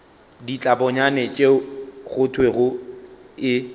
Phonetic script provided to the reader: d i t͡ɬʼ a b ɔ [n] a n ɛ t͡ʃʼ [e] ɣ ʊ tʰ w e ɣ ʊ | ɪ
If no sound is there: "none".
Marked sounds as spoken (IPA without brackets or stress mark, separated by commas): ɲ, e